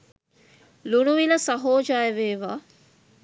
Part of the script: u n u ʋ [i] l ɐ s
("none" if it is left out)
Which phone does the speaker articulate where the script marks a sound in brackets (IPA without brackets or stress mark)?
i